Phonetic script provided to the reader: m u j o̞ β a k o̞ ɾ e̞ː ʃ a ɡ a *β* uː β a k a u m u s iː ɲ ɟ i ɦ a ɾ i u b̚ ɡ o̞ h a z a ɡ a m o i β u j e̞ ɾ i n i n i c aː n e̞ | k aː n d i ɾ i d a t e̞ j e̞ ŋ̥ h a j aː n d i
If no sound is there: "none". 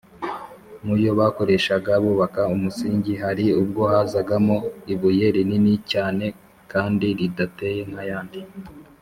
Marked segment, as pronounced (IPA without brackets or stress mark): β